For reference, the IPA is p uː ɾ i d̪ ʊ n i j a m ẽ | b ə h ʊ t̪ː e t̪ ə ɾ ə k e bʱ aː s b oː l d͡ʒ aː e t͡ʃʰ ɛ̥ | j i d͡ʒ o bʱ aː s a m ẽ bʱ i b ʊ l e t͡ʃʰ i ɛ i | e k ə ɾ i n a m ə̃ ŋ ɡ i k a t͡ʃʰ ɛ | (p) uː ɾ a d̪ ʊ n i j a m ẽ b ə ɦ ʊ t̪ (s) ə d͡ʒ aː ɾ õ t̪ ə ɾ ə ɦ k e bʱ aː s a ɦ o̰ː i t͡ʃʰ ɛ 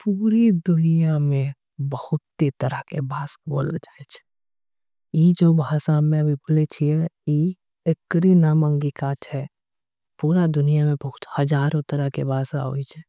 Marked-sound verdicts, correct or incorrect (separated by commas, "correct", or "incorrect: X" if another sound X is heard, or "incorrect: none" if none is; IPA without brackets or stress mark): correct, incorrect: h